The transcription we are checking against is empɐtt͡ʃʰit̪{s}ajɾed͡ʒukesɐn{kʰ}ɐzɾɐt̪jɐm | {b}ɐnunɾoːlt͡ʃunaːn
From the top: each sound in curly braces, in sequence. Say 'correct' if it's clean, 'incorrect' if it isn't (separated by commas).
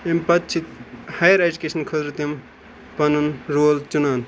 incorrect, correct, incorrect